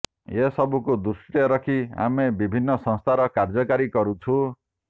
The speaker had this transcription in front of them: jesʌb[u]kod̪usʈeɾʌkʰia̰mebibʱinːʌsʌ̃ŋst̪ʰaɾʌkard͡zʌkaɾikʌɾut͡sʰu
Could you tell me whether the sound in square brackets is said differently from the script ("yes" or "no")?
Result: no